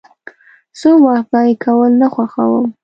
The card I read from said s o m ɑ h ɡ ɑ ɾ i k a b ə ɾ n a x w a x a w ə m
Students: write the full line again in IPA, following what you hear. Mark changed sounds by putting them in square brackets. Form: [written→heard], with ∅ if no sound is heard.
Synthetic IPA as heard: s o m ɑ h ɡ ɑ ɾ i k a [b→w] ə [ɾ→l] n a x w a x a w ə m